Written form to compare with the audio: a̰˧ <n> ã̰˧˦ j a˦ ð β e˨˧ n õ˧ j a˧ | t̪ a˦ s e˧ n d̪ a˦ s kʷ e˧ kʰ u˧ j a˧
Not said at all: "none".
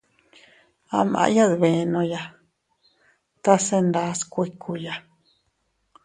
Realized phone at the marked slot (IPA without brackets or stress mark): m